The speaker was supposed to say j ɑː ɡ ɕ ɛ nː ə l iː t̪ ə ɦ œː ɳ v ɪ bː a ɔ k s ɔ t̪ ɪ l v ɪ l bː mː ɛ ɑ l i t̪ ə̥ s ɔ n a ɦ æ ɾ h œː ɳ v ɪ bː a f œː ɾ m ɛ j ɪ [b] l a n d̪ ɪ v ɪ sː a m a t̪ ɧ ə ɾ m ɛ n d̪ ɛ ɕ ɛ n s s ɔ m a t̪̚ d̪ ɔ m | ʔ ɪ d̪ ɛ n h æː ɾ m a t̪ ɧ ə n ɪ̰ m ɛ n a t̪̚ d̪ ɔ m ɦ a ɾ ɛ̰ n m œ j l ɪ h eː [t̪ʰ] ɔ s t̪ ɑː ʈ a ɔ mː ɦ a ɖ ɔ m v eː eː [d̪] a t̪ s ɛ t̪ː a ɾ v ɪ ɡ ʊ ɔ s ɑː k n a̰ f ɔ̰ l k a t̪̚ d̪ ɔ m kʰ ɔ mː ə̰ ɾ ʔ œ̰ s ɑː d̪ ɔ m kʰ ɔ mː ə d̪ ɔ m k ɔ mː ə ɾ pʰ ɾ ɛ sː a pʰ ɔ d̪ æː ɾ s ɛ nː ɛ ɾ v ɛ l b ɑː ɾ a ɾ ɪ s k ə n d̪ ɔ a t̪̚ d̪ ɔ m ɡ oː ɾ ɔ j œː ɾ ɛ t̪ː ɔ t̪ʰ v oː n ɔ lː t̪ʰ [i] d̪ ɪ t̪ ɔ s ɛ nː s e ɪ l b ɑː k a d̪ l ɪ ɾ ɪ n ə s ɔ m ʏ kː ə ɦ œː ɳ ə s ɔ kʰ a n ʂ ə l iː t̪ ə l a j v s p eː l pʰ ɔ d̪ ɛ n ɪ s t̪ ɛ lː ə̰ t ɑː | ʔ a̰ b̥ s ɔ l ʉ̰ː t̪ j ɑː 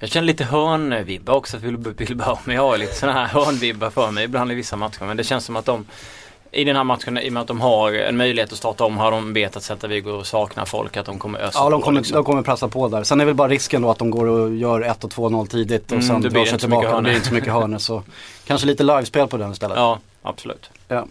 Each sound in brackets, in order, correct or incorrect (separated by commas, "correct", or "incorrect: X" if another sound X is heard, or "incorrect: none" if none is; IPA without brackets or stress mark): correct, incorrect: t̪, incorrect: t̪, incorrect: iː